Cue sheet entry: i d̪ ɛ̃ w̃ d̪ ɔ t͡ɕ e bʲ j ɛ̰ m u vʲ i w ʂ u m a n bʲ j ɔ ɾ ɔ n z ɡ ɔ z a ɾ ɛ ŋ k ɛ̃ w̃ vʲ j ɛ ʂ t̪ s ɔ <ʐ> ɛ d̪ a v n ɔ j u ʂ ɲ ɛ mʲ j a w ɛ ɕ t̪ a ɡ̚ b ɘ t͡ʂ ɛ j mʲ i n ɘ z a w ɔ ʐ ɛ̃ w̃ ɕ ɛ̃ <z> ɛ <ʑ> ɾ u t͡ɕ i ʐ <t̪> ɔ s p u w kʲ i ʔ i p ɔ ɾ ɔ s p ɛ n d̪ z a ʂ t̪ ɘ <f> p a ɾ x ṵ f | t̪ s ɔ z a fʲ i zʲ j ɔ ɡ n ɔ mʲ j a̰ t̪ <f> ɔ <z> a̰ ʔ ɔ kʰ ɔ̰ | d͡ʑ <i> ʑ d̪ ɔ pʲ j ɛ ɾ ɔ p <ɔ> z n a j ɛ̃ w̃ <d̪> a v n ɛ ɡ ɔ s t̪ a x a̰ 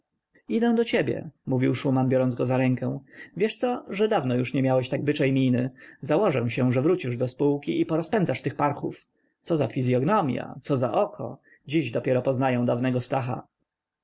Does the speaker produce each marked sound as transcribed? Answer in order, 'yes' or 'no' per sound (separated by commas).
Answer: yes, no, no, no, no, no, yes, yes, yes, yes